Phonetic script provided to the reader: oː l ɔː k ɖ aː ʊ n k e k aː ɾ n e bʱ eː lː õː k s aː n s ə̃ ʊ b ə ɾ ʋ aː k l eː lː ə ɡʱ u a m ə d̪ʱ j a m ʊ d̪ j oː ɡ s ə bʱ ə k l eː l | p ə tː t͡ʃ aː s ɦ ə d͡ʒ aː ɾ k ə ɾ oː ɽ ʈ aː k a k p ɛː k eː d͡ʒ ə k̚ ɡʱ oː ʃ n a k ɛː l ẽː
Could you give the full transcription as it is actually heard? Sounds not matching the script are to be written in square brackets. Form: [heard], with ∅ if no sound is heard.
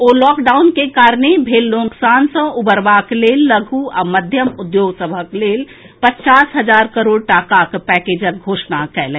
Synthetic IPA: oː l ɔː k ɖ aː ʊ n k e k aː ɾ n e bʱ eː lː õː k s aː n s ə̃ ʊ b ə ɾ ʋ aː k l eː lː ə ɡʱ u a m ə d̪ʱ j [ə] m ʊ d̪ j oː ɡ s ə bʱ ə k l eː l | p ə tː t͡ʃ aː s ɦ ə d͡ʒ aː ɾ k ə ɾ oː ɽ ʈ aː k a k p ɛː k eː d͡ʒ ə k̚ ɡʱ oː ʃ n a k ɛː l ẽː